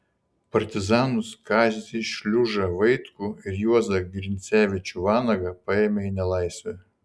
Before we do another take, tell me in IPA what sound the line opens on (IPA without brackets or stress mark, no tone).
p